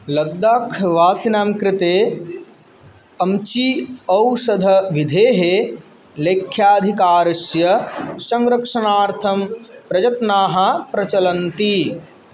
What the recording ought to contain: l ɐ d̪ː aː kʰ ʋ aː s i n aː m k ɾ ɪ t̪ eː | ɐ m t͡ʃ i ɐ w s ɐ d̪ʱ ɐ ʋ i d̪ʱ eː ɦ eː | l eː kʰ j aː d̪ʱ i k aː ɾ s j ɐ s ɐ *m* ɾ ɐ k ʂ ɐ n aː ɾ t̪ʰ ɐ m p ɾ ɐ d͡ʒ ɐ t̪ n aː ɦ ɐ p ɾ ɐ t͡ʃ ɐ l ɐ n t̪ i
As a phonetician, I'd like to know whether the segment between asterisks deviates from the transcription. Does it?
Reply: yes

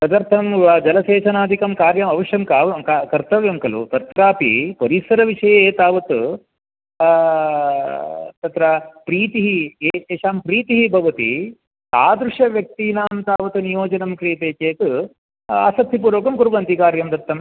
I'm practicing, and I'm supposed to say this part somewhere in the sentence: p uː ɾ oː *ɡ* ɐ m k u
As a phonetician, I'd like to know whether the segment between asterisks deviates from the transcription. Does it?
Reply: yes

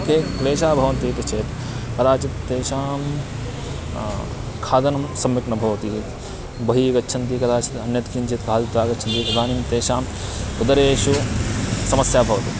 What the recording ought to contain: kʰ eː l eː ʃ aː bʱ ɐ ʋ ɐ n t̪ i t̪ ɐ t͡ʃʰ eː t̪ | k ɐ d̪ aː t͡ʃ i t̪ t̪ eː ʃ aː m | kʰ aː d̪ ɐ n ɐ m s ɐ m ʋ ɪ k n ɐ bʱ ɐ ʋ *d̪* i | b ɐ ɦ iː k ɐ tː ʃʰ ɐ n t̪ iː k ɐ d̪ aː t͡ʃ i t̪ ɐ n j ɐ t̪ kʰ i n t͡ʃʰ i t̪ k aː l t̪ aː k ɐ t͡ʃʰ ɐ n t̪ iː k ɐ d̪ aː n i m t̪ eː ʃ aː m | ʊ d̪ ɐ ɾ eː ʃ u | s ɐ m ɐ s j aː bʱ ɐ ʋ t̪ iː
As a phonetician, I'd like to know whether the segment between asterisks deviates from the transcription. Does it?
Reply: yes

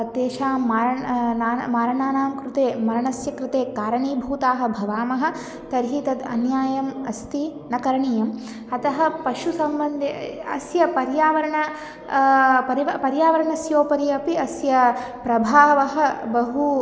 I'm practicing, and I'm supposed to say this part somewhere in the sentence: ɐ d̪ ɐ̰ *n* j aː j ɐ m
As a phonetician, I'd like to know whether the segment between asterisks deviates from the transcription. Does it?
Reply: no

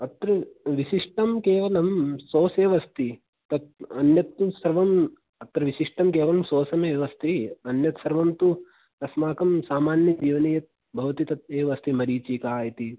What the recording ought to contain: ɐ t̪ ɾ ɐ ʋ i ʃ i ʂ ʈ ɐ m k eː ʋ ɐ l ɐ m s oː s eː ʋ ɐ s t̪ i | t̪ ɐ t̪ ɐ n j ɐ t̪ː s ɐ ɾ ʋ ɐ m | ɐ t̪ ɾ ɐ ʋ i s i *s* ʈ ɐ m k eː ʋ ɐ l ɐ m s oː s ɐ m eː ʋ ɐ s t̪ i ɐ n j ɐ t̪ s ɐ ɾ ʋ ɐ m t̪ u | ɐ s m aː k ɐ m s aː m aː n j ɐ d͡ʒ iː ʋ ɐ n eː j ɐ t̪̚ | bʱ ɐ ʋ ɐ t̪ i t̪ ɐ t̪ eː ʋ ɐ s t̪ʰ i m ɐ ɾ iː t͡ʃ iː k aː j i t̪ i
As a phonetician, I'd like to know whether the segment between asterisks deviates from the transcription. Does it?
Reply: yes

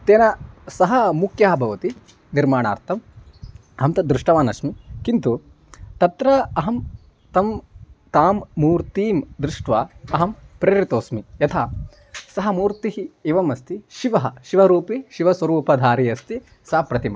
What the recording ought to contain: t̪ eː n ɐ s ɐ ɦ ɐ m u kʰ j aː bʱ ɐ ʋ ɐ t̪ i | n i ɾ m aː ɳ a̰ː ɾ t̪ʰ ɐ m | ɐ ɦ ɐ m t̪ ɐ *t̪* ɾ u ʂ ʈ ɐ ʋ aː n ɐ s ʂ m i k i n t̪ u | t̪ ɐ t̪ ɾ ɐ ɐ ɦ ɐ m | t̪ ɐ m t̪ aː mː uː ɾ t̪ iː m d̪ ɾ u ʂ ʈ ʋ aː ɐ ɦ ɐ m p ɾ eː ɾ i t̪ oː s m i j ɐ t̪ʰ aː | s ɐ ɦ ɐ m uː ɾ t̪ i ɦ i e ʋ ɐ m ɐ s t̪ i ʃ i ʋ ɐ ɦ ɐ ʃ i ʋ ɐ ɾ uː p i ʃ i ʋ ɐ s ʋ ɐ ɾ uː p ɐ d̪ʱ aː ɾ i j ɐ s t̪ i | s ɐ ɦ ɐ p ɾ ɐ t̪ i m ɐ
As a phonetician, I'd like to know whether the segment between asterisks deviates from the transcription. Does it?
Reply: yes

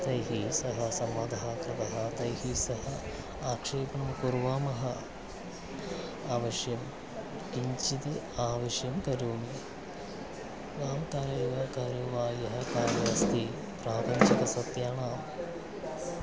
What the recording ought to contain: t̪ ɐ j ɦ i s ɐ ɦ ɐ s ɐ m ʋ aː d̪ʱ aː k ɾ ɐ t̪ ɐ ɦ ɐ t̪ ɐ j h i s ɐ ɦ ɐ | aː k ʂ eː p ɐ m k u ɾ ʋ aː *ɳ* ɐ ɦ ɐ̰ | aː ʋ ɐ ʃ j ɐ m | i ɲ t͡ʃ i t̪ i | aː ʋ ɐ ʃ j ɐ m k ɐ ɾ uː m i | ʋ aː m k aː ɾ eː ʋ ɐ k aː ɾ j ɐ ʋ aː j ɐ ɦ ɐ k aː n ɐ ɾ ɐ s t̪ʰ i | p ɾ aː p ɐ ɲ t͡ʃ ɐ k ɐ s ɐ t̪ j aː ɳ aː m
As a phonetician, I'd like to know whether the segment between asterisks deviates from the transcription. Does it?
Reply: yes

